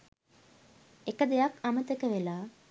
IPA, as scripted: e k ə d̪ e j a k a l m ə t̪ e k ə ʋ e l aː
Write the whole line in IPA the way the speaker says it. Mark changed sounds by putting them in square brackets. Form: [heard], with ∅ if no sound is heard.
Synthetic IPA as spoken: e k ə d̪ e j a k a [∅] m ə t̪ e k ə ʋ e l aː